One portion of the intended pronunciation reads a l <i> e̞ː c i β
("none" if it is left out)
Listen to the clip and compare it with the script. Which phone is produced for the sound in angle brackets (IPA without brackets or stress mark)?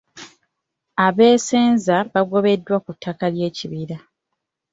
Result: j